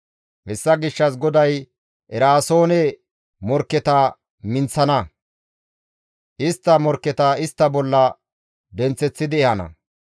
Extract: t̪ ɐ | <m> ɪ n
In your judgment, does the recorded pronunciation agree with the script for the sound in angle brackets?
yes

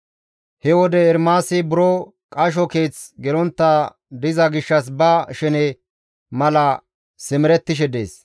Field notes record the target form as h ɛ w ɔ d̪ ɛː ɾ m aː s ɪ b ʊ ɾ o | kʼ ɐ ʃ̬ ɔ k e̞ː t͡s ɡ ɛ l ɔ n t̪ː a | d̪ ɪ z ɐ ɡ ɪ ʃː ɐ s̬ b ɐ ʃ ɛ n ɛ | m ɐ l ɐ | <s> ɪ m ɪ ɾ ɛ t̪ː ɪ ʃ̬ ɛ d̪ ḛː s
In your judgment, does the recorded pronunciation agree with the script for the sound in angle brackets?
yes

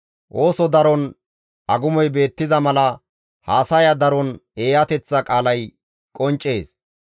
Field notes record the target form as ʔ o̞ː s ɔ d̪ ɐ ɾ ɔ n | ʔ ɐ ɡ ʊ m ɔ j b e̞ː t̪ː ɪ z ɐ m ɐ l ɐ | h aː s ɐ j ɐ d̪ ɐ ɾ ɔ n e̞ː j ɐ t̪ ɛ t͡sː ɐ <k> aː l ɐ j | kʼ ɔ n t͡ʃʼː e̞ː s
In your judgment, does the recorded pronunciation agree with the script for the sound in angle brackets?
no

